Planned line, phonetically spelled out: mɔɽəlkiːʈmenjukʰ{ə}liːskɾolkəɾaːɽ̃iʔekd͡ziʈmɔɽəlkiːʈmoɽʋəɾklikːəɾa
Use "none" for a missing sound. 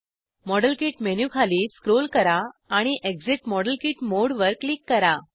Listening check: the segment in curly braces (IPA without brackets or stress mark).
a